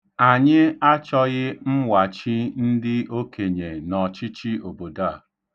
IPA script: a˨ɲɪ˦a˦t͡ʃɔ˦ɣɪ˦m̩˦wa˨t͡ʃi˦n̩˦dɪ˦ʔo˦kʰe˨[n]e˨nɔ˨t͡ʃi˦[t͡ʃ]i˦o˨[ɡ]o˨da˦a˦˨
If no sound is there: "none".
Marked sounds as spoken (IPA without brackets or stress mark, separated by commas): ɲ, t͡ʃ, b